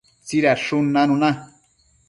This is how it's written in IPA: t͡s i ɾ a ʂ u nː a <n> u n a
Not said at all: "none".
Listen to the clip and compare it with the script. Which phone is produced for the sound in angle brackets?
n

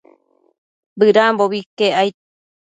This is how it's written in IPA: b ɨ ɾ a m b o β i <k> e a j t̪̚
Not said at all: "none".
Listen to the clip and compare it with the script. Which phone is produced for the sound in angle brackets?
k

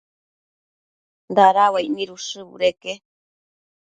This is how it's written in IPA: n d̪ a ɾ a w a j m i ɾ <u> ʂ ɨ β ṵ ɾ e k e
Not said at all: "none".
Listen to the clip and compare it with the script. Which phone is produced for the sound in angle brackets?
u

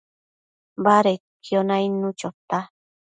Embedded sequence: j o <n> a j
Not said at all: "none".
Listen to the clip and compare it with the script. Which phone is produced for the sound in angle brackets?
n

